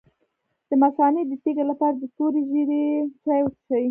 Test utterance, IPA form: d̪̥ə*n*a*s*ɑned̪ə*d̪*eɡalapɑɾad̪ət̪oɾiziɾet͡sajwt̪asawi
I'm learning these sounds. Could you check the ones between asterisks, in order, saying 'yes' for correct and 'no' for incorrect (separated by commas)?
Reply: no, yes, no